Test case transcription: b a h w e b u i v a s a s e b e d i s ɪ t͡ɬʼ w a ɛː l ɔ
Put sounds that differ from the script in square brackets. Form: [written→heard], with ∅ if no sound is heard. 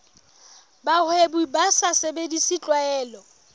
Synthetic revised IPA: b a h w e b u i [v→b] a s a s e b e d i s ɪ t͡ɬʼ w a ɛː l ɔ